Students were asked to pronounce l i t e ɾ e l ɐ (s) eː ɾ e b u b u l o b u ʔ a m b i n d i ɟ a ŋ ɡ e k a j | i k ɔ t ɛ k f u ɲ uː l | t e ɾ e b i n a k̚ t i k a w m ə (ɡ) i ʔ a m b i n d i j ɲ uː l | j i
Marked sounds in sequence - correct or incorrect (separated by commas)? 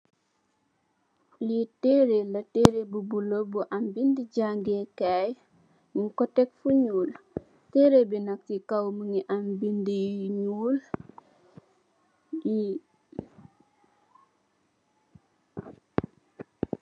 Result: incorrect, incorrect